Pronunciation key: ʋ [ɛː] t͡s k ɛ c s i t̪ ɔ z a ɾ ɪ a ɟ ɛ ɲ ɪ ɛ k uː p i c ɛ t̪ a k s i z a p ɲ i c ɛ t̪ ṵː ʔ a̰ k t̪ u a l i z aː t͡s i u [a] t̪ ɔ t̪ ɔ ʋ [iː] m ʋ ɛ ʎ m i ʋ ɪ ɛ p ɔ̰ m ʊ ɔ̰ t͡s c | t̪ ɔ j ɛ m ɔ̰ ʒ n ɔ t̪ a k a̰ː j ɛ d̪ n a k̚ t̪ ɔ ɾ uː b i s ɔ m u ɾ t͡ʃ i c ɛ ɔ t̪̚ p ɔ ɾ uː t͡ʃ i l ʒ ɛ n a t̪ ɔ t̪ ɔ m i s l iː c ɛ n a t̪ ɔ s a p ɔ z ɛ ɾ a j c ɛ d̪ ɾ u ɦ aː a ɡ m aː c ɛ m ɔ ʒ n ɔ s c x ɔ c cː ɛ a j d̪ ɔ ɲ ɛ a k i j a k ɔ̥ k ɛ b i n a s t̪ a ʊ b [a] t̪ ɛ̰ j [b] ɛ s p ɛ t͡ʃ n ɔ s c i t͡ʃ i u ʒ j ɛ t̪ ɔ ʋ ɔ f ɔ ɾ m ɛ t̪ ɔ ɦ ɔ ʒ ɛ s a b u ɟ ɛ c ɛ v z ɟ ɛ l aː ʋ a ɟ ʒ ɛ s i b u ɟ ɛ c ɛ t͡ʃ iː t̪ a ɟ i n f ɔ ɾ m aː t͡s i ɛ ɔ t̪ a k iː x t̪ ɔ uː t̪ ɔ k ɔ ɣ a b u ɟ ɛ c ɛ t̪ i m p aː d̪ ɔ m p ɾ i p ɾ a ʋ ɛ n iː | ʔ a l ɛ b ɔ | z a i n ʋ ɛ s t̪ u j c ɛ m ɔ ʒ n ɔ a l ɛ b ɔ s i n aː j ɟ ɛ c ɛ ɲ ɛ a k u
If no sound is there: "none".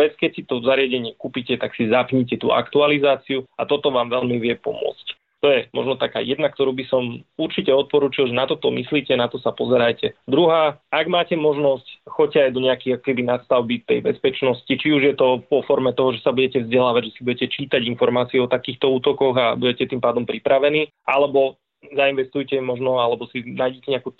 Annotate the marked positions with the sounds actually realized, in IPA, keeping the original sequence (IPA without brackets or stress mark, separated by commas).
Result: ɛ, a, aː, i, b